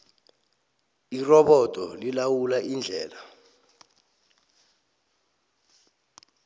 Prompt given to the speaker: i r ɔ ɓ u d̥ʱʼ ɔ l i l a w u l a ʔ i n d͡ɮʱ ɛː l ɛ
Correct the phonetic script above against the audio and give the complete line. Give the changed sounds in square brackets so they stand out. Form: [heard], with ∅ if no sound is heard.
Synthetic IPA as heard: i r ɔ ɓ [ɔ] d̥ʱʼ ɔ l i l a w u l a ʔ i n d͡ɮʱ ɛː l [a]